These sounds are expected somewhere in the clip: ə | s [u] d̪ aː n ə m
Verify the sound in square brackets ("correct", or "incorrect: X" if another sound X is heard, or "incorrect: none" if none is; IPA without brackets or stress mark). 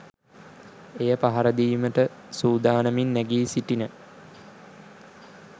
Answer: incorrect: uː